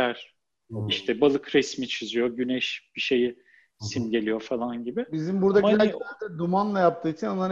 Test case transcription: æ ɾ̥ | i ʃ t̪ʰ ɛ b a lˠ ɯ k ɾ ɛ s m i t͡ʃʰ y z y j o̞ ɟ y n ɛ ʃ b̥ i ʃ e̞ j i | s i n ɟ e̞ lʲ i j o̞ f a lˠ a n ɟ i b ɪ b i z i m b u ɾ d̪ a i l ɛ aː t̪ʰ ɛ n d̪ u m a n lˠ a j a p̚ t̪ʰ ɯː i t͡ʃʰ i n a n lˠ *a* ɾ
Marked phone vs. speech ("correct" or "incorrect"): correct